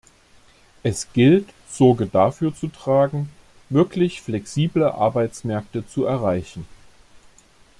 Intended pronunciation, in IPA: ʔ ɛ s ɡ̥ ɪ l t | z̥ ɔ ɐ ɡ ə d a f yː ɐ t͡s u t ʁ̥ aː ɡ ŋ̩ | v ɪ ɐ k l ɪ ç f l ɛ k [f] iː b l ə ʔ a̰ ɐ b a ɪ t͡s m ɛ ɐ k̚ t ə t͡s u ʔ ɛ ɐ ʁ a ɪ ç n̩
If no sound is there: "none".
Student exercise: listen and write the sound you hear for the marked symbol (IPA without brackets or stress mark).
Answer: s